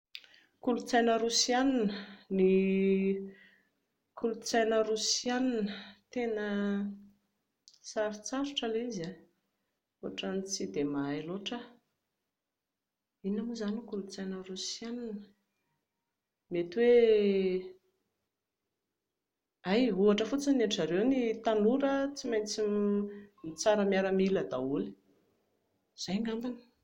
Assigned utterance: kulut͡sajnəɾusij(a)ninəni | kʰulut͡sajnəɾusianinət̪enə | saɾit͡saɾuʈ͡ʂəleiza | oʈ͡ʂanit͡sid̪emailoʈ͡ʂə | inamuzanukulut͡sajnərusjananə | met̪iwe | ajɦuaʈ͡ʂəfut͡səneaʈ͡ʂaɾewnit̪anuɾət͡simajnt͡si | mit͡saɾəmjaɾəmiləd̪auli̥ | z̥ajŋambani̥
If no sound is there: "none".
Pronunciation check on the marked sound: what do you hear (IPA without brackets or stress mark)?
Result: a